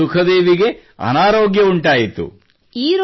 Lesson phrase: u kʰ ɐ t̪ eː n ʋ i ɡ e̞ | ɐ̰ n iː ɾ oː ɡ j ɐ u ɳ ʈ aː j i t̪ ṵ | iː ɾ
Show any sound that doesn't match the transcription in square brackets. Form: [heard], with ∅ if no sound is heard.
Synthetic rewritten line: u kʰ ɐ [d̪] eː [∅] ʋ i ɡ e̞ | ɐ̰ n [aː] ɾ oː ɡ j ɐ u ɳ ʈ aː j i t̪ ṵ | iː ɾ